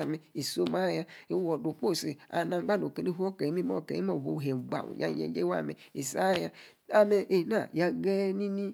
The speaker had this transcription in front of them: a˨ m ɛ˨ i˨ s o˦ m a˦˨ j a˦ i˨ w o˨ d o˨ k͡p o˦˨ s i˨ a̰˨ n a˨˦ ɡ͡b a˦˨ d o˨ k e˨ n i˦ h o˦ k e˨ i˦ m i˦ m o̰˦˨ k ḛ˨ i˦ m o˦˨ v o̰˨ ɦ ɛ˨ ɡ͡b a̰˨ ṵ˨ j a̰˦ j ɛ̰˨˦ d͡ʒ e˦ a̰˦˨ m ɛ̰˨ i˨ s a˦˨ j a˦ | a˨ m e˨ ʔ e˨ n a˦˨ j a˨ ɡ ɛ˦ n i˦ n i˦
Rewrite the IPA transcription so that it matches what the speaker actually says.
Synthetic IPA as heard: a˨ m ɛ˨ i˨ s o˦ m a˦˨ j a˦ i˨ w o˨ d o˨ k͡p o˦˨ s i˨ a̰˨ n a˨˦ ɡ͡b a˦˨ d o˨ k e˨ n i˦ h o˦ k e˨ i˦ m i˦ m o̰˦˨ k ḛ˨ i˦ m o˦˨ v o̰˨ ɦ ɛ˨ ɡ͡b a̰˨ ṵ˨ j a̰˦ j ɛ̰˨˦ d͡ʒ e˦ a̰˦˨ m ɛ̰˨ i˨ s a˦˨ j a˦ | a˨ m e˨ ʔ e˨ n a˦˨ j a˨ ɡ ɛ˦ n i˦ n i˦